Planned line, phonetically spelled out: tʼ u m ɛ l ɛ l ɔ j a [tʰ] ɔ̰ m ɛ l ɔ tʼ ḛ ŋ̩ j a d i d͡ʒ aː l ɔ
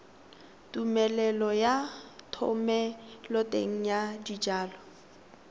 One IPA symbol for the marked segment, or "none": tʰ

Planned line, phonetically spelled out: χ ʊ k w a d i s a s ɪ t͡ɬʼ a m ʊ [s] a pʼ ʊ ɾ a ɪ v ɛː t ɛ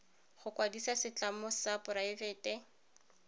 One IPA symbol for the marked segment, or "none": s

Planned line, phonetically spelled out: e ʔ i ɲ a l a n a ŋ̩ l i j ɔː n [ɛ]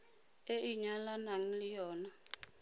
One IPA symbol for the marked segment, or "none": a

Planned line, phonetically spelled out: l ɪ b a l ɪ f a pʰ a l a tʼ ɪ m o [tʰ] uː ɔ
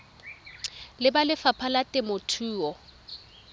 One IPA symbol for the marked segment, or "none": tʰ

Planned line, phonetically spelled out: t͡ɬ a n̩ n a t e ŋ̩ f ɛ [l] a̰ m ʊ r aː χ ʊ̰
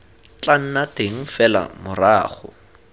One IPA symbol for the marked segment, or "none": l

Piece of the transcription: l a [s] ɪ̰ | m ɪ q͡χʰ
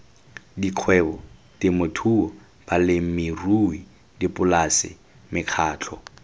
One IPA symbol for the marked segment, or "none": s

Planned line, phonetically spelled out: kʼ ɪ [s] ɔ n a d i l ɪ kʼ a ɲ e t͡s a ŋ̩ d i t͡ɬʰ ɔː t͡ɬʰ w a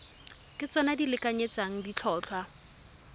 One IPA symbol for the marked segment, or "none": t͡s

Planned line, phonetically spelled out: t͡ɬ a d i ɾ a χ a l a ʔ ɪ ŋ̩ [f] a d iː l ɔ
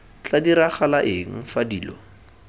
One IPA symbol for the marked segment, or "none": f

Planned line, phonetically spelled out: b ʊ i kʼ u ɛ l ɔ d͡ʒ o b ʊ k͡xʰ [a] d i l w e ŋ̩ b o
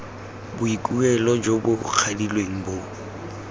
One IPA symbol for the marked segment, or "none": a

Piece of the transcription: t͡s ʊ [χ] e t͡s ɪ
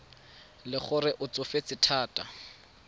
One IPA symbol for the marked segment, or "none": f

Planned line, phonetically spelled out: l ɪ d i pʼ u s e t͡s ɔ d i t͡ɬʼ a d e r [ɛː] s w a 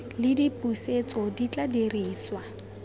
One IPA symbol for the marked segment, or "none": iː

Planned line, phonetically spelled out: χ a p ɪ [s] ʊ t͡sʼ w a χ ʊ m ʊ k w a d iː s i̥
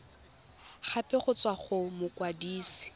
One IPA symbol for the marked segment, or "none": χ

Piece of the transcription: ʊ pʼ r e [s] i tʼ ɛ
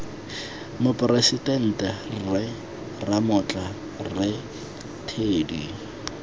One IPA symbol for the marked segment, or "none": s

